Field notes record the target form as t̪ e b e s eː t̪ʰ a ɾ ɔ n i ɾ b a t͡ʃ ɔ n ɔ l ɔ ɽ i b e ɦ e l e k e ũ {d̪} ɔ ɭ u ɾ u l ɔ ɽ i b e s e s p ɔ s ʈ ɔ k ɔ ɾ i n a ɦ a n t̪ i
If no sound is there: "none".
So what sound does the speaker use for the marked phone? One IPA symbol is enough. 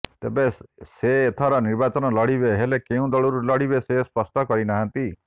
d̪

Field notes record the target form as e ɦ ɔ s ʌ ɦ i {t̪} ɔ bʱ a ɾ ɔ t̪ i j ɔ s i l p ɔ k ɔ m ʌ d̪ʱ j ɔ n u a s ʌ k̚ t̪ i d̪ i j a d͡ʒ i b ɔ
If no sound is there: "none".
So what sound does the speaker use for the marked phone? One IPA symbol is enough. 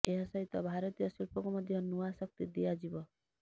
t̪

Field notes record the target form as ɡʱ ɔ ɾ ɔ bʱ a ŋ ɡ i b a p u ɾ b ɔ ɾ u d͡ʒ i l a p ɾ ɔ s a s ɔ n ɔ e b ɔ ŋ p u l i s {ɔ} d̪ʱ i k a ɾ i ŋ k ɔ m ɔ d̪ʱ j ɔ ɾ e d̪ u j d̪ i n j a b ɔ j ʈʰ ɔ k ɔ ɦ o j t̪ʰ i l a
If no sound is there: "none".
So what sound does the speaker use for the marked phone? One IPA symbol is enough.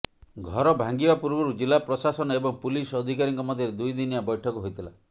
ɔ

